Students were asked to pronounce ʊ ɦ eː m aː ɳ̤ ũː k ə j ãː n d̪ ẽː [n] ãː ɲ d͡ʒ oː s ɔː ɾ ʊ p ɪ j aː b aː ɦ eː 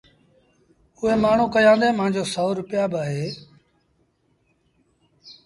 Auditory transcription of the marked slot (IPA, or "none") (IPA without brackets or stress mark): m